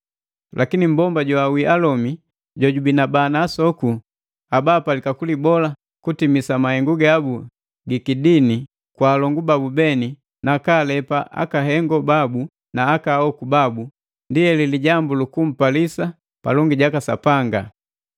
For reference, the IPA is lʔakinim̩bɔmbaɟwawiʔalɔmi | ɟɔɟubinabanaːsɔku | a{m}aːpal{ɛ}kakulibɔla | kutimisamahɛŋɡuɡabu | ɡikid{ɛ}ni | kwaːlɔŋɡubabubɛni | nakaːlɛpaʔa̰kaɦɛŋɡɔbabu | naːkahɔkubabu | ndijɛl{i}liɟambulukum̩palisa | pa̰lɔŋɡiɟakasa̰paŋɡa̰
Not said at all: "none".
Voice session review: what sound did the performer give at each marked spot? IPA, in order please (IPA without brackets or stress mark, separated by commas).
b, i, i, i